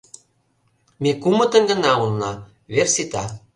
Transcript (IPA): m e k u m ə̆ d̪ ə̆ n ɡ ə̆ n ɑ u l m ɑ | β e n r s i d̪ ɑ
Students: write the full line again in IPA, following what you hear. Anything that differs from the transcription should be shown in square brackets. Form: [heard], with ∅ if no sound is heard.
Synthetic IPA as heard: m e k u m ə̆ [t̪] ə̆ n ɡ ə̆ n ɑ u l [n] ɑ | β e [∅] r s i [t̪] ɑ